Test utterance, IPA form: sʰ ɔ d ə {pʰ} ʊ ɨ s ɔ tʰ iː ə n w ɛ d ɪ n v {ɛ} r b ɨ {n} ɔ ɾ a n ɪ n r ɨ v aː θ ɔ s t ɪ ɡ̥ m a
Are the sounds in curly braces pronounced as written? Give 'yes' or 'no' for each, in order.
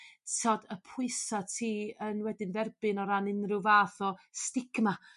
yes, yes, yes

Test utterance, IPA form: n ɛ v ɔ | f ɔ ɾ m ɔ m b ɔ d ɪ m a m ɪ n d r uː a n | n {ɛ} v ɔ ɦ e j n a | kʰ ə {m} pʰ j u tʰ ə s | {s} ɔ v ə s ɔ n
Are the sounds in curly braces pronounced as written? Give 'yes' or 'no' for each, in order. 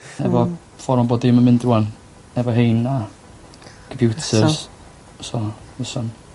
yes, yes, yes

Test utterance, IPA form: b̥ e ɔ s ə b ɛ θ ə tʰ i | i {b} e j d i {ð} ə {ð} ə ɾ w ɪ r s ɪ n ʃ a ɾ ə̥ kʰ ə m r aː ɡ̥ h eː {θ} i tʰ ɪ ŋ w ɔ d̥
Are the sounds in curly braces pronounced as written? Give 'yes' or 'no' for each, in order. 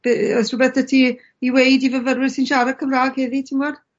no, no, no, no

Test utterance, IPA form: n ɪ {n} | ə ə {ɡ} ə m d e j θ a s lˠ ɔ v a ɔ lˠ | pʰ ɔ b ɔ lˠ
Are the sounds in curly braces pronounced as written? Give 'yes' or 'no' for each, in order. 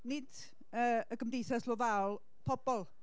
no, yes

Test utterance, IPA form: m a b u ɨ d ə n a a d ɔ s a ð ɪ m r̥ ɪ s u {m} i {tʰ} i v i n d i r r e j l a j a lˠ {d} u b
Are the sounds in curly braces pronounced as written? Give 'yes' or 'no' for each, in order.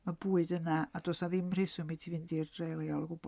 yes, yes, no

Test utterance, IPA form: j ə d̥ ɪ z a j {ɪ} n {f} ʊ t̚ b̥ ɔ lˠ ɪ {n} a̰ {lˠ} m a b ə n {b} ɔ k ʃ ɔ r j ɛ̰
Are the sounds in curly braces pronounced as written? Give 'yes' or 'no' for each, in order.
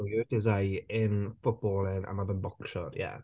yes, yes, yes, no, yes

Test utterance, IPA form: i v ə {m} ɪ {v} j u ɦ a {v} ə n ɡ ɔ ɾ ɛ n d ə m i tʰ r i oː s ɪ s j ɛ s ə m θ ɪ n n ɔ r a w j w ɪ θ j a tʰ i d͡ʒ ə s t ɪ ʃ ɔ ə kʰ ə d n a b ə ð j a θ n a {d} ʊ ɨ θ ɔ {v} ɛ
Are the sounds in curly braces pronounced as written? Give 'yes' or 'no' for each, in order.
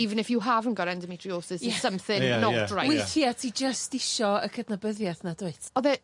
no, no, yes, yes, no

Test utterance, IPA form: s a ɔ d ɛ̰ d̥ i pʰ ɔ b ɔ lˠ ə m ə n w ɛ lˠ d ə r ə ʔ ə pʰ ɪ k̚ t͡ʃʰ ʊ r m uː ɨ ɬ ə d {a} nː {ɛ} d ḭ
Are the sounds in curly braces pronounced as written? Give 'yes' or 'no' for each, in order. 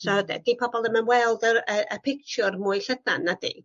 yes, no

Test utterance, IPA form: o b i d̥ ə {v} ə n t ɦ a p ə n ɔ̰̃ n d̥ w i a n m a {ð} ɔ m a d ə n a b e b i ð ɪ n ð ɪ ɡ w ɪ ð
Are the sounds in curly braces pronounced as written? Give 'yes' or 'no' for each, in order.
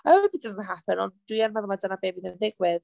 no, yes

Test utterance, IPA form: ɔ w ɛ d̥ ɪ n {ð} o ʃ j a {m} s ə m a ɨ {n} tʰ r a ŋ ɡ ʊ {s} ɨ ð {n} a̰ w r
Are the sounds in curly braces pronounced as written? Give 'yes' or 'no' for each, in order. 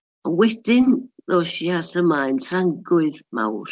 yes, no, yes, no, no

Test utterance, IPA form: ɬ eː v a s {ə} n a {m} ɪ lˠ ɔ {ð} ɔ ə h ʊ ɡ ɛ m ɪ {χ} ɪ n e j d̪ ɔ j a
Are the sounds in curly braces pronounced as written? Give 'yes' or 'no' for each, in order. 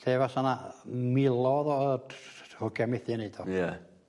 no, yes, yes, no

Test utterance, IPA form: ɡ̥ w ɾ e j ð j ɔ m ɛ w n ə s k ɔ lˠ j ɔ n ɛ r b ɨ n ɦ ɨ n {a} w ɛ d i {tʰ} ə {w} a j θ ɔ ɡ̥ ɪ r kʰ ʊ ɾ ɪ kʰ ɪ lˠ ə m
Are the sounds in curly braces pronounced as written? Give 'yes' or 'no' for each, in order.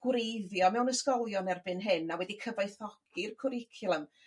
yes, no, no

